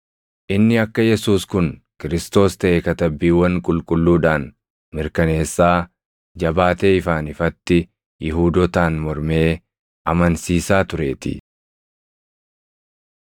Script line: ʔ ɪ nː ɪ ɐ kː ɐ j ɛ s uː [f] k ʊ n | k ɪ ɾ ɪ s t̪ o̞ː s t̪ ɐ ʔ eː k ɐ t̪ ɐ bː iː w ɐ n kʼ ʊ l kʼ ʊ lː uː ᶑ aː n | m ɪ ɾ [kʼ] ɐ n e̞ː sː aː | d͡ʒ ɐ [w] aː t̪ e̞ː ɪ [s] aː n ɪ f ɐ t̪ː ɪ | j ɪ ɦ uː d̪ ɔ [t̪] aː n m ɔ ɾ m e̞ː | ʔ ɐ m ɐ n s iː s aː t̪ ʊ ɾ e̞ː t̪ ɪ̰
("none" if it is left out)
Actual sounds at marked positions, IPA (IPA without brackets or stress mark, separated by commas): s, k, b, f, t̪